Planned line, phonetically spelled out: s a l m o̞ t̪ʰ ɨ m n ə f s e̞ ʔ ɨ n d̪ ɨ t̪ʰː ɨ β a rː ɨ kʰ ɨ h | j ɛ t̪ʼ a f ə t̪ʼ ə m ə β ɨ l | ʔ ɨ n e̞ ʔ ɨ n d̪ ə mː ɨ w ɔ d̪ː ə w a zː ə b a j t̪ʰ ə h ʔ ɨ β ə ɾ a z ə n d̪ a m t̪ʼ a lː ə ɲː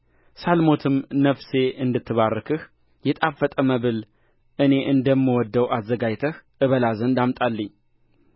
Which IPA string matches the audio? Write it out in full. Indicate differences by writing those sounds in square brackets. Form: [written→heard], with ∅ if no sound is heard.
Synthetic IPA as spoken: s a l m o̞ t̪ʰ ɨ m n ə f s e̞ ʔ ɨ n d̪ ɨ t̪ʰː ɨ β a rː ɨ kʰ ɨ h | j ɛ t̪ʼ a f ə t̪ʼ ə m ə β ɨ l | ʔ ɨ n e̞ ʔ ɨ n d̪ ə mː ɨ w ɔ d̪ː ə w a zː ə [b→ɡ] a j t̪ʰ ə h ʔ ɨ β ə [ɾ→l] a z ə n d̪ a m t̪ʼ a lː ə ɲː